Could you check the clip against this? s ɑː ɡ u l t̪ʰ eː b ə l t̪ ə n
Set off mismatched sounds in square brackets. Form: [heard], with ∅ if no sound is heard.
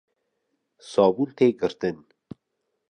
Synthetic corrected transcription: s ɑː [b] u l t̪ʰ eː [ɡ] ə [ɾ] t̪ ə n